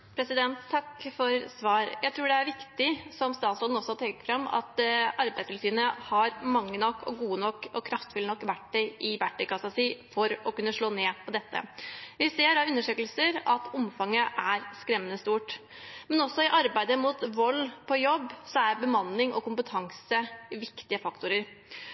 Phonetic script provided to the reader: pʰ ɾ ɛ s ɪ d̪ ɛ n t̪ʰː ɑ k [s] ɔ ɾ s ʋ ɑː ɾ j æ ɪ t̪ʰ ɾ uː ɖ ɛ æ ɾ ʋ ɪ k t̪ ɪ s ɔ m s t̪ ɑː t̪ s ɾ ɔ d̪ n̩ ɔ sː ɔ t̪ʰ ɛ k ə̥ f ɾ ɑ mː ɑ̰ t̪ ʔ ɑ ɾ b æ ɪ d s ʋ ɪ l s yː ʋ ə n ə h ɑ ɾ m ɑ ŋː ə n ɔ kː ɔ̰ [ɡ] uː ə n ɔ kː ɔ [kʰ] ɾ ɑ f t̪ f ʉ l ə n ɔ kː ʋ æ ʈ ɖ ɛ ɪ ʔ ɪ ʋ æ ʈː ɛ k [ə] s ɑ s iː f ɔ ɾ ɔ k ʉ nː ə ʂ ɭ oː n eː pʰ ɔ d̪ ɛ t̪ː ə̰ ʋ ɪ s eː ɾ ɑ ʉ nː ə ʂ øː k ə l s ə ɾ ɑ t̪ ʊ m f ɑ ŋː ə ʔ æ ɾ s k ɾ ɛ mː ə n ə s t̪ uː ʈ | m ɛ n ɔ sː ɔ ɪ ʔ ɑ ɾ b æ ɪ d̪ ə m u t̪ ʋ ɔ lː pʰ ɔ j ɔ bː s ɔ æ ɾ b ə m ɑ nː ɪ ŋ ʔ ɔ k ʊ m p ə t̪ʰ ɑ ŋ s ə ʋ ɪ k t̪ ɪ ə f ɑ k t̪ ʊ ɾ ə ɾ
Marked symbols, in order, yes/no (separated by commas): no, yes, yes, no